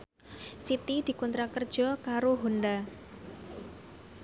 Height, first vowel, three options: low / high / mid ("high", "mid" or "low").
high